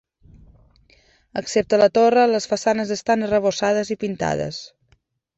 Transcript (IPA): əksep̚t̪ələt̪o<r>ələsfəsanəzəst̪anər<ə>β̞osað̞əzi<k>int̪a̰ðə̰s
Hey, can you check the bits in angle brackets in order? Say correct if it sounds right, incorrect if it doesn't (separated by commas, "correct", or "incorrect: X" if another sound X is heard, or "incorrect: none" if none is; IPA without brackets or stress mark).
correct, correct, incorrect: p